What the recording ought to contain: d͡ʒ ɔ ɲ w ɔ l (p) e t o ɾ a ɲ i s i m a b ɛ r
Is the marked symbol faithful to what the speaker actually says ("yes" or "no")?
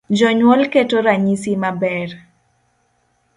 no